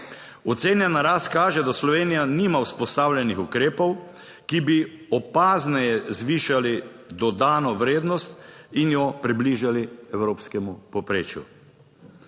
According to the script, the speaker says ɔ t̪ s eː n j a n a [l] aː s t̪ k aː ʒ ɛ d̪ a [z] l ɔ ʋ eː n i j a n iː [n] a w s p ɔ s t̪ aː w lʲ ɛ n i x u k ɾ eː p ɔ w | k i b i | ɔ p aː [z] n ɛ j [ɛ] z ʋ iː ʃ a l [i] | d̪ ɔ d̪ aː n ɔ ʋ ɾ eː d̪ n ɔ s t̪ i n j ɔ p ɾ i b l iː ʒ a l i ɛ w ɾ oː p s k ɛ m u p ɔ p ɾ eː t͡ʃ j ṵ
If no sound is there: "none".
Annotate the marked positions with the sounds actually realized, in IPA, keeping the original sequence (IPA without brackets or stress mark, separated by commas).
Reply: ɾ, s, m, z, ɛ, i